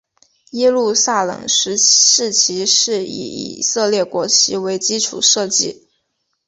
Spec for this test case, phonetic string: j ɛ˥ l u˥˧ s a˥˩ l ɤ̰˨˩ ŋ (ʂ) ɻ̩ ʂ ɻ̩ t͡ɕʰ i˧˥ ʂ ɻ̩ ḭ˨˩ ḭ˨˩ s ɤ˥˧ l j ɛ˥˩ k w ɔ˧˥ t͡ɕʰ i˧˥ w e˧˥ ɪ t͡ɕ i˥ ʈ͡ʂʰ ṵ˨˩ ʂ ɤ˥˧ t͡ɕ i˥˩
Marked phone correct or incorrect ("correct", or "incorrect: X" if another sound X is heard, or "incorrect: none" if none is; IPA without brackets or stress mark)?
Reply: correct